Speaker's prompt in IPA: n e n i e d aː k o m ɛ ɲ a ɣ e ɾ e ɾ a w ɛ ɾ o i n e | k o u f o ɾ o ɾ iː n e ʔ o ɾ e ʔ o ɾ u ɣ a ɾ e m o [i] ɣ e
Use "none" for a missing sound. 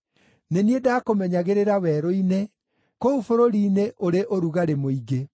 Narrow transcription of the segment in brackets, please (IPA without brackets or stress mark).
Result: i